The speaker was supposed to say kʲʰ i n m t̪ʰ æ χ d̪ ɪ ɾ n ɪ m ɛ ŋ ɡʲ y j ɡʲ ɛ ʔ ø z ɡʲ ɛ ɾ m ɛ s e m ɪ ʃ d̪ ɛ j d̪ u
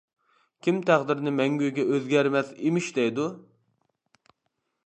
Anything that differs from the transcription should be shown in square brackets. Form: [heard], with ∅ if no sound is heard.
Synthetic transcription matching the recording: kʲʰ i [∅] m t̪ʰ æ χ d̪ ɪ ɾ n ɪ m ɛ ŋ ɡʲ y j ɡʲ ɛ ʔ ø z ɡʲ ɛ ɾ m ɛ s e m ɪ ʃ d̪ ɛ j d̪ u